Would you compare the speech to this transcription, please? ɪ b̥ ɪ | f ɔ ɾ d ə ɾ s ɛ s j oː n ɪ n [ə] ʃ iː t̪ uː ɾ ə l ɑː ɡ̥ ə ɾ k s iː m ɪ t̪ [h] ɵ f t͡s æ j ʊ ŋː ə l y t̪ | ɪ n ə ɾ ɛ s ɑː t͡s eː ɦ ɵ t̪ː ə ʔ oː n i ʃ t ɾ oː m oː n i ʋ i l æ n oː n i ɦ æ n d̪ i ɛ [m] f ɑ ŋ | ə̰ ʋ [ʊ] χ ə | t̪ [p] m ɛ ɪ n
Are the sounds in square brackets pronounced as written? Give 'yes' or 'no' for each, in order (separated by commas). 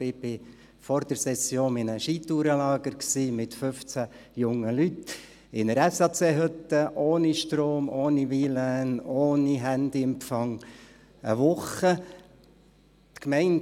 yes, no, yes, yes, no